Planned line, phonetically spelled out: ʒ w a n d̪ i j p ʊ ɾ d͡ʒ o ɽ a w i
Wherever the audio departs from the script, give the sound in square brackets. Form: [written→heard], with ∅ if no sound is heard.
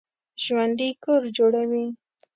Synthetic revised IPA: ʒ w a n d̪ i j [p→k] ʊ ɾ d͡ʒ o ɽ a w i